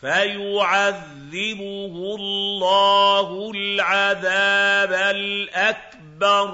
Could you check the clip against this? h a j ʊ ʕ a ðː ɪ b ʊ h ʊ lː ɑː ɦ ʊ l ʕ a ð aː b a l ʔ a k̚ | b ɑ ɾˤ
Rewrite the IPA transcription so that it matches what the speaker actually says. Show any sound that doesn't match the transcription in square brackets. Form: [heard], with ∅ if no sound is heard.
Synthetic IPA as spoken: [f] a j ʊ ʕ a ðː ɪ b ʊ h ʊ lː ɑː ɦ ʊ l ʕ a ð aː b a l ʔ a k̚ | b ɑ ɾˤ